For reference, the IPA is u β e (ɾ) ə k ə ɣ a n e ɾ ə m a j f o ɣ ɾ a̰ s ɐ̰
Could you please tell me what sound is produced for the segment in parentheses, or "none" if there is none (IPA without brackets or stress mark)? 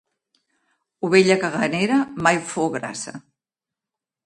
ʎ